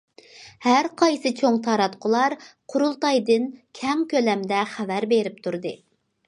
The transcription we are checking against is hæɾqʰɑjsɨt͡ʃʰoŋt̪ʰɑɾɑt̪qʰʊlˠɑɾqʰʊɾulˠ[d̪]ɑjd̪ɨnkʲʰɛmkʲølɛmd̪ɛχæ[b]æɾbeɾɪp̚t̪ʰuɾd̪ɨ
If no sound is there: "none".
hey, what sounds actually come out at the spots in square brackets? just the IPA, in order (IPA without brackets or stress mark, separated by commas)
t̪, v